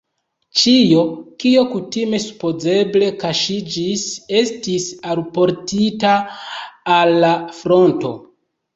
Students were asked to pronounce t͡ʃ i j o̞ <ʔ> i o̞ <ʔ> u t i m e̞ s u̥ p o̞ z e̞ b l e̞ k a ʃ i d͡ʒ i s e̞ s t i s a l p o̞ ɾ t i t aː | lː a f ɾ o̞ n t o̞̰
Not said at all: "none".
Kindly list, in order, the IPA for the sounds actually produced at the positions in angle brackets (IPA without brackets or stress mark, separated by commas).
k, k